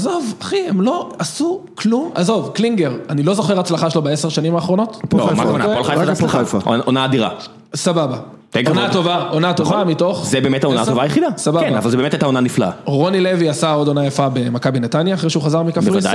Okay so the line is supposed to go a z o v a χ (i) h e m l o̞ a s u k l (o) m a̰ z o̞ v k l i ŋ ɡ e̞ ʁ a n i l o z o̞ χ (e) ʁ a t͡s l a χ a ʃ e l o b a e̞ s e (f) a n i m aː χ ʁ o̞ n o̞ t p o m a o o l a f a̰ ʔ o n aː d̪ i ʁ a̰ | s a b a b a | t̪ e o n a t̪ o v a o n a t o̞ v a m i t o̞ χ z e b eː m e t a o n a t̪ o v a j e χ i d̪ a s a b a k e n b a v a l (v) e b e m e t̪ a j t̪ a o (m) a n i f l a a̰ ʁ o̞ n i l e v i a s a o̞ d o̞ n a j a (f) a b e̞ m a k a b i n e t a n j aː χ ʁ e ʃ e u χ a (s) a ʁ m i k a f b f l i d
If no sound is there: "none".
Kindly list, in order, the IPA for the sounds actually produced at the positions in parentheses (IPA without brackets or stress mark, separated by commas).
i, u, e, ʃ, z, n, f, z